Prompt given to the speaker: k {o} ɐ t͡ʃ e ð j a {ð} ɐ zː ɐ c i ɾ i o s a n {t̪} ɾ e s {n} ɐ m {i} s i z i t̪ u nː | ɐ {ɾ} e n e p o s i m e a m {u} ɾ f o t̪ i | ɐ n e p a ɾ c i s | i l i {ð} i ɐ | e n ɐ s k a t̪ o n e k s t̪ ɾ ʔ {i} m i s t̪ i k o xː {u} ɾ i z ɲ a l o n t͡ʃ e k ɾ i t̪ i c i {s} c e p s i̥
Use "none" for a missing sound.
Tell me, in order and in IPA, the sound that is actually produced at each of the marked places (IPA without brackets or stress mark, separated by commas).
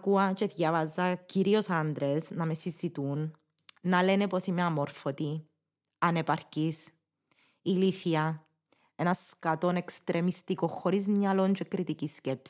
u, v, d̪, n, e, l, o, θ, e, o, s